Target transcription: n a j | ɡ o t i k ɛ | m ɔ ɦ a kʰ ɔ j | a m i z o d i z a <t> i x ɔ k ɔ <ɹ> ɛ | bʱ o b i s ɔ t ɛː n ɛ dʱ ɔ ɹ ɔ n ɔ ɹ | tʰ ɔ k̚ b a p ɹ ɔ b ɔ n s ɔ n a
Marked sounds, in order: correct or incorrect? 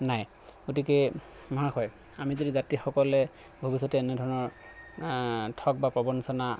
correct, incorrect

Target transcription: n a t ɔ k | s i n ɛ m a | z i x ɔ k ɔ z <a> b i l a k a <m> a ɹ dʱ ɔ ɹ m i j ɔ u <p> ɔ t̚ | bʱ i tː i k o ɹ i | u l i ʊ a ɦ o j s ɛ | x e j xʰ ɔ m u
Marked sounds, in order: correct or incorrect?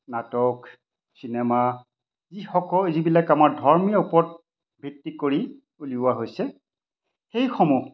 incorrect, correct, correct

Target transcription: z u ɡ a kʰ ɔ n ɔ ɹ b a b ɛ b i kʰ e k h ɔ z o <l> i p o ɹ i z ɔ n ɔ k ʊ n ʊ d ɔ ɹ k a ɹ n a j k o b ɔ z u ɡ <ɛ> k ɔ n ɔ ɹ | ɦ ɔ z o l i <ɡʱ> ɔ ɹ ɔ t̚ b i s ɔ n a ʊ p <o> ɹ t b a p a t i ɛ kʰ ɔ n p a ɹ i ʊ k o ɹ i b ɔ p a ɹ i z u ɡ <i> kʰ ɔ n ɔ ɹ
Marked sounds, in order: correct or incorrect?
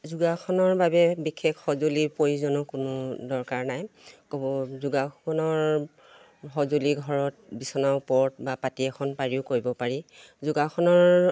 correct, incorrect, correct, incorrect, incorrect

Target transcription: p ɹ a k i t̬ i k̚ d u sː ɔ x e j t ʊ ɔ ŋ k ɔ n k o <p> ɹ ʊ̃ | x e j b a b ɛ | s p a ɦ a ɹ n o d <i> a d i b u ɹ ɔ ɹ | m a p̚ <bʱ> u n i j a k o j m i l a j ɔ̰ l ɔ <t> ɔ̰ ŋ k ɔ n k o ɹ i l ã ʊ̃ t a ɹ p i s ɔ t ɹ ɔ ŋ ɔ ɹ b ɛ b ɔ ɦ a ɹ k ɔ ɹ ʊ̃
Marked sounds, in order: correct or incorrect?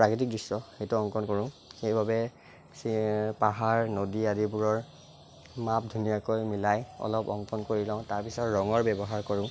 incorrect, correct, incorrect, incorrect

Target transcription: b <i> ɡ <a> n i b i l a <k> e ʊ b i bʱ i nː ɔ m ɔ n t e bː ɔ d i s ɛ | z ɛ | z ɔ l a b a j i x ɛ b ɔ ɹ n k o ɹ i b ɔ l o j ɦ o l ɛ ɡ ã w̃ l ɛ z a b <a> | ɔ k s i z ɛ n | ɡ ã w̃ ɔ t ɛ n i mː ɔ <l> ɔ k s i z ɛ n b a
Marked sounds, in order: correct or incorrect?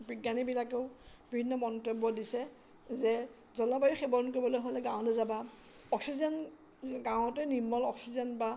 correct, correct, correct, correct, correct

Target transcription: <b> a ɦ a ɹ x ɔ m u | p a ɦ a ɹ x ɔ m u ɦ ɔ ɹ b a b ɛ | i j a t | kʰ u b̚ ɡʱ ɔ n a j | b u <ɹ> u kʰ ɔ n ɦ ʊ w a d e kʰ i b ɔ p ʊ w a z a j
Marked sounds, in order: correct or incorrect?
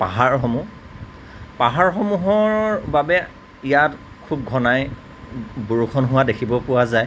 incorrect, correct

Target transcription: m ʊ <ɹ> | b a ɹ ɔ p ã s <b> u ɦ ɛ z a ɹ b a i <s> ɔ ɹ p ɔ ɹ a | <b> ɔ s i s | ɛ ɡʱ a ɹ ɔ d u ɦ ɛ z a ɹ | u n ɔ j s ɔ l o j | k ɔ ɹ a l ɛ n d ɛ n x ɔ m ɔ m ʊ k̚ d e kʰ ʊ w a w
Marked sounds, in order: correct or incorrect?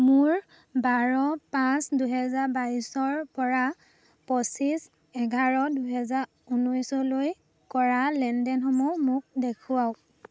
correct, incorrect, correct, incorrect

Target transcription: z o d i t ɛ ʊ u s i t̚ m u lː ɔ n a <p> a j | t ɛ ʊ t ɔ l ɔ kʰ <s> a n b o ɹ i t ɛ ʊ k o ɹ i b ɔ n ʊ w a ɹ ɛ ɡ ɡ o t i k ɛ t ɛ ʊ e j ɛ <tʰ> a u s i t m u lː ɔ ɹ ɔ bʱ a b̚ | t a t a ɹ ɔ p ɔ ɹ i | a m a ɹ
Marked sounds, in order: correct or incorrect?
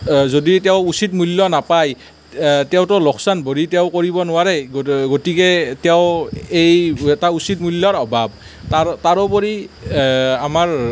correct, correct, incorrect

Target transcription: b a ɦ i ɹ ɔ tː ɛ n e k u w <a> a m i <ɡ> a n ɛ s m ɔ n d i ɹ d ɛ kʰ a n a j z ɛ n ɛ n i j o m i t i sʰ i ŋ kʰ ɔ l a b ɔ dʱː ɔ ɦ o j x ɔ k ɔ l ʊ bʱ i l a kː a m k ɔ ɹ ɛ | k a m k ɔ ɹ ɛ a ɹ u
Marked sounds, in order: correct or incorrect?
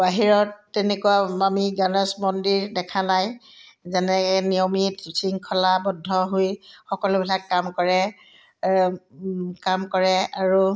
correct, correct

